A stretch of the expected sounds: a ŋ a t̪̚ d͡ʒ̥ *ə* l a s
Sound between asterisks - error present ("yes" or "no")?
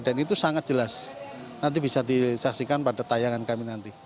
no